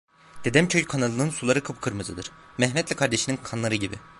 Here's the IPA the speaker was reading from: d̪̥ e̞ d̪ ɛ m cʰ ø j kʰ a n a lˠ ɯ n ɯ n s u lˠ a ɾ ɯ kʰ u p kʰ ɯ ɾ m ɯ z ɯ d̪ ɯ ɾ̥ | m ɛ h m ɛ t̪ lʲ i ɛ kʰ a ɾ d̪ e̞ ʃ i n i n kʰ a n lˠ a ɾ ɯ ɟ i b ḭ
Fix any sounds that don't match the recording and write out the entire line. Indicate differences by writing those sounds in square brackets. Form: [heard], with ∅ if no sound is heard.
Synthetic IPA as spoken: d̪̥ e̞ d̪ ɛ m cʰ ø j kʰ a n a lˠ ɯ n ɯ n s u lˠ a ɾ ɯ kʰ [ɯ] p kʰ ɯ ɾ m ɯ z ɯ d̪ ɯ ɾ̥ | m ɛ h m ɛ t̪ lʲ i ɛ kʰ a ɾ d̪ e̞ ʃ i n i n kʰ a n lˠ a ɾ ɯ ɟ i b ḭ